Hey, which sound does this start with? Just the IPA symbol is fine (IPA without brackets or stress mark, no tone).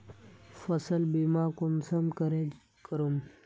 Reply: f